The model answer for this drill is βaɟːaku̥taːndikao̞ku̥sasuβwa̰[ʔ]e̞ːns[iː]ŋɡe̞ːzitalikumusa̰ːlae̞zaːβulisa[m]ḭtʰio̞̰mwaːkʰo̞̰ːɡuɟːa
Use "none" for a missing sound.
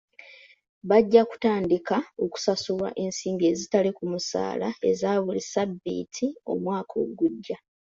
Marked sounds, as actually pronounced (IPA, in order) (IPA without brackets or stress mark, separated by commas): ʔ, iː, b